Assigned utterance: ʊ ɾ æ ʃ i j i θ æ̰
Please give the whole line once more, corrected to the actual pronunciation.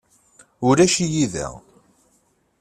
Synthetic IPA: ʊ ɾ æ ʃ i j i ð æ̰

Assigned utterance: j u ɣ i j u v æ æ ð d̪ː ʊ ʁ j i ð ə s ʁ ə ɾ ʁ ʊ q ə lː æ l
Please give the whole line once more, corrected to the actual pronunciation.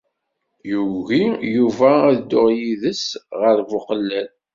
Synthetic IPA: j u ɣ i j u v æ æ ð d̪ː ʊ ʁ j i ð ə s ʁ ə ɾ v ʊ q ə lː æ l

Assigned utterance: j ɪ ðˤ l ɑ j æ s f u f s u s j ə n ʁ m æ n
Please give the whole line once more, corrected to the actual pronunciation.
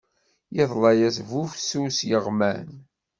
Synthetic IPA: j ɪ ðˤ l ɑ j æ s v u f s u s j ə ʁ m æ n

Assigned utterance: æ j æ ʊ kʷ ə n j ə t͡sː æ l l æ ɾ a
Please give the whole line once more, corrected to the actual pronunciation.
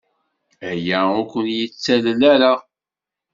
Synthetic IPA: æ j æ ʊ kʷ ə n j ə t͡sː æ l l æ ɾ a

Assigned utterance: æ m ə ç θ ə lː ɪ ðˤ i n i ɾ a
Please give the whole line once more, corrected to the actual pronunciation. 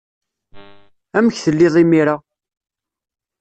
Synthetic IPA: æ m ə ç θ ə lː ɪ ðˤ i m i ɾ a

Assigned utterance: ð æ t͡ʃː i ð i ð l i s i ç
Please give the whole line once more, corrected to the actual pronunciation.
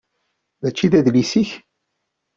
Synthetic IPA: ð æ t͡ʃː i ð æ ð l i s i ç

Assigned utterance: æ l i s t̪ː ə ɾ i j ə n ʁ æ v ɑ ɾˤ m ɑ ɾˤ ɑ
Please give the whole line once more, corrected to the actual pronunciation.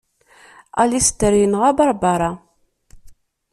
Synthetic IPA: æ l i s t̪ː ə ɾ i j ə n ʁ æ b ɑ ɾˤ b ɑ ɾˤ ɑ

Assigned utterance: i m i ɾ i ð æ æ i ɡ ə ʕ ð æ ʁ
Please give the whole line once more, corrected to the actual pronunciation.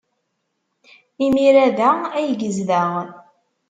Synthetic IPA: i m i ɾ æ ð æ æ j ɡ ə z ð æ ʁ

